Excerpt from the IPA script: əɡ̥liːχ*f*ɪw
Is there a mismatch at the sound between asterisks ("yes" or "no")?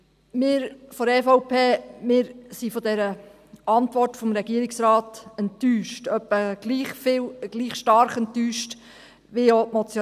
no